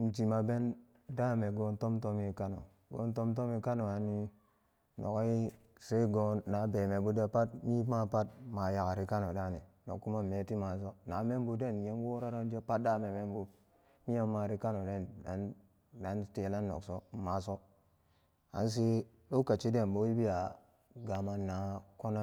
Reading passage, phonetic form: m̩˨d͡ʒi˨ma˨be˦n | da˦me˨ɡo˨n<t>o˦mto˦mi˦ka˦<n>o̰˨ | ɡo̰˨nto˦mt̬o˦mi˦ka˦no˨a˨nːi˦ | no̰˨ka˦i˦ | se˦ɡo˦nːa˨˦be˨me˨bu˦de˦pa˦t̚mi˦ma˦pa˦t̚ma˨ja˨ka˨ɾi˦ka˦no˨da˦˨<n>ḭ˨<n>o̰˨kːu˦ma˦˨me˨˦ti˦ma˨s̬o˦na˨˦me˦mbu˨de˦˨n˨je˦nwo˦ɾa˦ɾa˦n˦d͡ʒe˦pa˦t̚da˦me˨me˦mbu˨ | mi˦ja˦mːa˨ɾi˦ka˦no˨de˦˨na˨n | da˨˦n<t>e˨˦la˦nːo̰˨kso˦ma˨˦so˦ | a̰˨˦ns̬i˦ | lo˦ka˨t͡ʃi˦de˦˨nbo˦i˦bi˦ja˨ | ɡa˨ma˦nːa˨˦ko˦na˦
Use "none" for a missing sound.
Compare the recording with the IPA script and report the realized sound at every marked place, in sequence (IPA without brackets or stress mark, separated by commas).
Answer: t, n, n, n, t